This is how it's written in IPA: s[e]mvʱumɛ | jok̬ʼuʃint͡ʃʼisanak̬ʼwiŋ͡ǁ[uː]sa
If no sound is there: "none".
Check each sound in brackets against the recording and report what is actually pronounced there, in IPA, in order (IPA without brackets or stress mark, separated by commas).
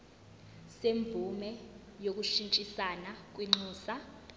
e, uː